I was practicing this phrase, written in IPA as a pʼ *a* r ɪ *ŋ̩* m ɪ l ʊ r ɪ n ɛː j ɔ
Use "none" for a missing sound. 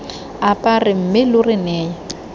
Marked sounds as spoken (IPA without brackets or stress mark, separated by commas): a, m̩